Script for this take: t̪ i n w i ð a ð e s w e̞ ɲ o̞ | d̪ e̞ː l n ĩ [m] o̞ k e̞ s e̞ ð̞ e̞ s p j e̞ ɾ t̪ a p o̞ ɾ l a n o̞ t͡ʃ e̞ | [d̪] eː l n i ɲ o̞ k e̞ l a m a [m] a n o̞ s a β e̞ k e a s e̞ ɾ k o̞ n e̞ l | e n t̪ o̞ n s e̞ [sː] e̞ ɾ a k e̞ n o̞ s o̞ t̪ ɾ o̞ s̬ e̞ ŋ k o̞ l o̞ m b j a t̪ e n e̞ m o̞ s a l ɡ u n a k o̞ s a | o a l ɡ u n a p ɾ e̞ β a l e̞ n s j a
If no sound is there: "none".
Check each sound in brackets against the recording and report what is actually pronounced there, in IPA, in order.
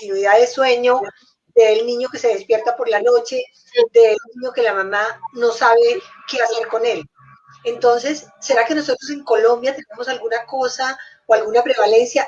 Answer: ɲ, d̪, m, sː

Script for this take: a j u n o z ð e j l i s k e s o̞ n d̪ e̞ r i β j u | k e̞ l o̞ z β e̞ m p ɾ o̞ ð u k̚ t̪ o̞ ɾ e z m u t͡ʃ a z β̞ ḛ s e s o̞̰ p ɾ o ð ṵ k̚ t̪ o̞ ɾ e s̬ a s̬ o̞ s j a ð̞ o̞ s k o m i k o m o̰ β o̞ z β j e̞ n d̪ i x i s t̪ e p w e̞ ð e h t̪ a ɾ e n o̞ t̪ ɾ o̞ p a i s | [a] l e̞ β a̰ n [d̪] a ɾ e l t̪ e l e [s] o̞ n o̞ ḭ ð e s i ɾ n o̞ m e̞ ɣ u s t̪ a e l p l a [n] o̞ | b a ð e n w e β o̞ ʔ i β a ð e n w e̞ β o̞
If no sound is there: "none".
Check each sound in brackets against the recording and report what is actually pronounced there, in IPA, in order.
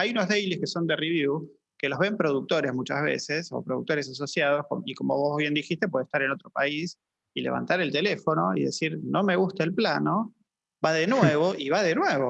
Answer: i, t̪, f, n

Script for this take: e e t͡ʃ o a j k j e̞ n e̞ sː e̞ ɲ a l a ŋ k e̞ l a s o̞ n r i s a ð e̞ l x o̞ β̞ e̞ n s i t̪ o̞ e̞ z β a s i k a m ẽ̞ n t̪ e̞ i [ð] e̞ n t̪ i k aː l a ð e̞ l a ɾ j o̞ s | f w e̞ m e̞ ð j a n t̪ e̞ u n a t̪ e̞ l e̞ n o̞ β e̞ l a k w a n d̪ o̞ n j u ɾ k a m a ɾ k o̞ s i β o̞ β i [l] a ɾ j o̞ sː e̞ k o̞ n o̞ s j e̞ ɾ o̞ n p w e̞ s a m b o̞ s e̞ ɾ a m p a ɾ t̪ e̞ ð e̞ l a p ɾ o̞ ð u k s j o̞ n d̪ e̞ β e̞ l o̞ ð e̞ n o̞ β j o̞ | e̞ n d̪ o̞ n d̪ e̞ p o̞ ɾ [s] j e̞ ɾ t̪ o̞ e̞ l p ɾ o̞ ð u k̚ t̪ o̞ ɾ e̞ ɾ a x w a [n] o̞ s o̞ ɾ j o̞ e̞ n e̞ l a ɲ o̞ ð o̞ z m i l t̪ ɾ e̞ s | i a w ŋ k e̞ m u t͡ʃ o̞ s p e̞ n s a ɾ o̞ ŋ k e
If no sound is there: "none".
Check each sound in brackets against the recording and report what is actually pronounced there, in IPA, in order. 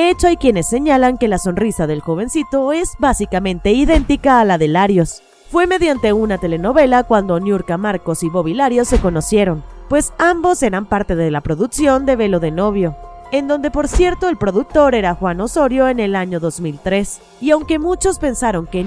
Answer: ð, l, s, n

